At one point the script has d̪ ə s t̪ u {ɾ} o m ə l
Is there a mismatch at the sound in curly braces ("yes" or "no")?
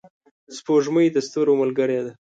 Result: no